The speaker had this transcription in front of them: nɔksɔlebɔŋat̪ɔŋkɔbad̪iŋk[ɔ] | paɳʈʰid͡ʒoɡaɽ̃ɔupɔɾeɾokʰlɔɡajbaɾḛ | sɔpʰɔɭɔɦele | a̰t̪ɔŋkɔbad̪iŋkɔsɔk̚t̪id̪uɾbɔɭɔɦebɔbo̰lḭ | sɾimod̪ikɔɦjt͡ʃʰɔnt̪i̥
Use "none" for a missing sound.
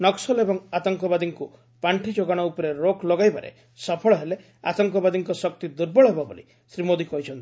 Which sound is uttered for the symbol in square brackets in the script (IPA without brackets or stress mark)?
u